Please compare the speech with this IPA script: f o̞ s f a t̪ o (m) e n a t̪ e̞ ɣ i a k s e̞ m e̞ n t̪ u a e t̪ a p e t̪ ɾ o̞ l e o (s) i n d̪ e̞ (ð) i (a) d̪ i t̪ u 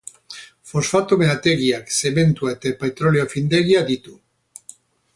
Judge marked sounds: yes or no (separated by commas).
yes, no, no, yes